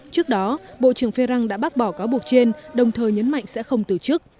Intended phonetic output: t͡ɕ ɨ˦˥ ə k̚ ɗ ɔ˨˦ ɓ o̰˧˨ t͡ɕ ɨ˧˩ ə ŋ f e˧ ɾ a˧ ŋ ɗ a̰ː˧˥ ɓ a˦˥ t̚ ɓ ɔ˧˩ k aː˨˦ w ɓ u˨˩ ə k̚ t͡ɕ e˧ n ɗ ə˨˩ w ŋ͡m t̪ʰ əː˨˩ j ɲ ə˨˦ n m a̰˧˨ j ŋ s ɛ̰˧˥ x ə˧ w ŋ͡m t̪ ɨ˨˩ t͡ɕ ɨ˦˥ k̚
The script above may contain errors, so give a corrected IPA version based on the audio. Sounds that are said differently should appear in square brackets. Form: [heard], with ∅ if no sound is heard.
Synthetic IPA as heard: t͡ɕ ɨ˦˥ ə k̚ ɗ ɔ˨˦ ɓ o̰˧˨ t͡ɕ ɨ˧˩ ə ŋ f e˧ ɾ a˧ ŋ ɗ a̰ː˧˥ ɓ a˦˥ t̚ ɓ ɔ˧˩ k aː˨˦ w ɓ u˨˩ ə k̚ t͡ɕ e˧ n ɗ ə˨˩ w ŋ͡m t̪ʰ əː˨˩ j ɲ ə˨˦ n m a̰˧˨ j ŋ s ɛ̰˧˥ x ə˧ w ŋ͡m t̪ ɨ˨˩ t͡ɕ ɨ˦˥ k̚

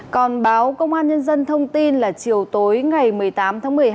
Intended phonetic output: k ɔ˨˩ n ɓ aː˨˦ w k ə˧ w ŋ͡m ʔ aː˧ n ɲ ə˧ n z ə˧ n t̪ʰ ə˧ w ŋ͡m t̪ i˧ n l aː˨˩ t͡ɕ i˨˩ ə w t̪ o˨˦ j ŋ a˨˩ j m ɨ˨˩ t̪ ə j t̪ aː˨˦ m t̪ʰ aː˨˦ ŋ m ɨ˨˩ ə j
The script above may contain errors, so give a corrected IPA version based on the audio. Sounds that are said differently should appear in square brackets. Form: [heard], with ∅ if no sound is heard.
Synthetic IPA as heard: k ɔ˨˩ n ɓ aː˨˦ w k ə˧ w ŋ͡m ʔ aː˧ n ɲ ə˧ n z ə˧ n t̪ʰ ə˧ w ŋ͡m t̪ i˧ n l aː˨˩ t͡ɕ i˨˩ ə w t̪ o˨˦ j ŋ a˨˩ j m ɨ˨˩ [∅] ə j t̪ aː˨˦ m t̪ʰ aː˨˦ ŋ m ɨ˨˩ ə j

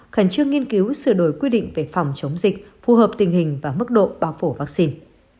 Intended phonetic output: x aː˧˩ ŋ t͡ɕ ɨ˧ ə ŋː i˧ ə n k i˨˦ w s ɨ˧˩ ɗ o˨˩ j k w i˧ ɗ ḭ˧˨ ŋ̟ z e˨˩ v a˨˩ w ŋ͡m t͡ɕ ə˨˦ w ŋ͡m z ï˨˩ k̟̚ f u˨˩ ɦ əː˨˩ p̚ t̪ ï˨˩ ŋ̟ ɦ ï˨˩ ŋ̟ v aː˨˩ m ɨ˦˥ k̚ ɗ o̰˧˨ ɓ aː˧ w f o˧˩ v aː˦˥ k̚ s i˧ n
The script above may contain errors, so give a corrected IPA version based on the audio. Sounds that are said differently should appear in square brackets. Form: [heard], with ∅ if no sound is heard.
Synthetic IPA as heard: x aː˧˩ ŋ t͡ɕ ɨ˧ ə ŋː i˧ ə n k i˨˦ w s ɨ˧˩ ɗ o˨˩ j k w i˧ ɗ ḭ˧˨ ŋ̟ [v] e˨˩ [f] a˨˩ w ŋ͡m t͡ɕ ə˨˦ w ŋ͡m z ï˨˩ k̟̚ f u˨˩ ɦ əː˨˩ p̚ t̪ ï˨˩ ŋ̟ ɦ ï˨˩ ŋ̟ v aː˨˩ m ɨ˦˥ k̚ ɗ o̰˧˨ ɓ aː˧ w f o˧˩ v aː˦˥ k̚ s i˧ n

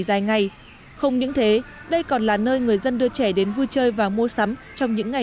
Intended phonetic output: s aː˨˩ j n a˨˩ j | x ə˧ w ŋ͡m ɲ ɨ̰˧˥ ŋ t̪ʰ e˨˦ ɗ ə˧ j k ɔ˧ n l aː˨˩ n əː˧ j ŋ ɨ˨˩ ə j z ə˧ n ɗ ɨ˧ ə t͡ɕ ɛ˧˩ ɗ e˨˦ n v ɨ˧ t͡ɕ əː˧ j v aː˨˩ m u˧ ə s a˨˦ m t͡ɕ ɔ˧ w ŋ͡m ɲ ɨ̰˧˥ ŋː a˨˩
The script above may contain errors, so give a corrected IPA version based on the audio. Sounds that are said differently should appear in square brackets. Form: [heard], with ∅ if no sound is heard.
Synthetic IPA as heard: [z] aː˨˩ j [ŋ] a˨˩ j | x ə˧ w ŋ͡m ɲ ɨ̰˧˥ ŋ t̪ʰ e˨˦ ɗ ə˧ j k [ɔ˨˩] n l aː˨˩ n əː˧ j ŋ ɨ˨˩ ə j z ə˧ n ɗ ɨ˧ ə t͡ɕ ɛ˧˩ ɗ e˨˦ n v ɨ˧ t͡ɕ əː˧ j v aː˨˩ m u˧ ə s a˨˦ m t͡ɕ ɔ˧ w ŋ͡m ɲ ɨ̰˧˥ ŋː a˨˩

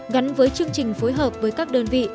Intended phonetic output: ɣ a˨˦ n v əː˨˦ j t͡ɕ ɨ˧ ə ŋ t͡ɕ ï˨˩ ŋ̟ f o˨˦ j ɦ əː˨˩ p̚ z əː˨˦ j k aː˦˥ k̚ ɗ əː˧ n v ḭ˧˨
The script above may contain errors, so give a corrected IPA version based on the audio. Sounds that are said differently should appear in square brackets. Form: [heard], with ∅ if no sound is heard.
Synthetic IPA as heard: ɣ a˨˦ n v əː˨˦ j t͡ɕ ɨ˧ ə ŋ t͡ɕ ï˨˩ ŋ̟ f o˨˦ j ɦ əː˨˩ p̚ [v] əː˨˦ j k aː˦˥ k̚ ɗ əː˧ n v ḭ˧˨

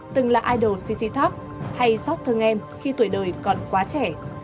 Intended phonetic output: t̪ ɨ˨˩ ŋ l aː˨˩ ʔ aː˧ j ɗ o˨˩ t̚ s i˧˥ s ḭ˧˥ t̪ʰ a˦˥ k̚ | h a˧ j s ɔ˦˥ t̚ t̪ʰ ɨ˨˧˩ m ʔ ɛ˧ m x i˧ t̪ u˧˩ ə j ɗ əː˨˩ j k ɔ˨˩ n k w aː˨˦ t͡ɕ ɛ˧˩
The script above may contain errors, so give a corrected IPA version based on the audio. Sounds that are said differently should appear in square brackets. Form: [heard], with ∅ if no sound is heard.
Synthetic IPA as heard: t̪ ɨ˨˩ ŋ l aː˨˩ ʔ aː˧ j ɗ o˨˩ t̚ s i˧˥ s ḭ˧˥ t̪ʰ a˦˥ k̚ | h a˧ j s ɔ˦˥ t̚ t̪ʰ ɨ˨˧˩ [ŋ] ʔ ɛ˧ m x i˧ t̪ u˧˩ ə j ɗ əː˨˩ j k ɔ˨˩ n k w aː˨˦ t͡ɕ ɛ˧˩

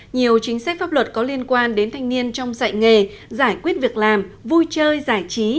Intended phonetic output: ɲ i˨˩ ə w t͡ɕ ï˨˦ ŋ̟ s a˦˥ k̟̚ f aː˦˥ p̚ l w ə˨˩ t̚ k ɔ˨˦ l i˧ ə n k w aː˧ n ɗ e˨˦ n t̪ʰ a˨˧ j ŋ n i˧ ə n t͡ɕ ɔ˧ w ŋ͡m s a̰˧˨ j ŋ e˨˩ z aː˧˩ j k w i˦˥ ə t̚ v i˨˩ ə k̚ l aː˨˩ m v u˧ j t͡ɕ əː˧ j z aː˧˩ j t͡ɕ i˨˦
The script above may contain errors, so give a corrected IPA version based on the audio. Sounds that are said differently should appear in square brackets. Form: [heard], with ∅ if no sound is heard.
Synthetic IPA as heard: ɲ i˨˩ ə w t͡ɕ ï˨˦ ŋ̟ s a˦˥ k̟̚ f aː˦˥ p̚ l w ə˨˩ t̚ k ɔ˨˦ l i˧ ə n k w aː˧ n ɗ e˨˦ n t̪ʰ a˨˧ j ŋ n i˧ ə n t͡ɕ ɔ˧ w ŋ͡m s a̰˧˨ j ŋ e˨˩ z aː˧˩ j k w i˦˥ ə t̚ v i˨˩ ə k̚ l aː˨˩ m v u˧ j t͡ɕ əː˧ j z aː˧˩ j t͡ɕ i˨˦

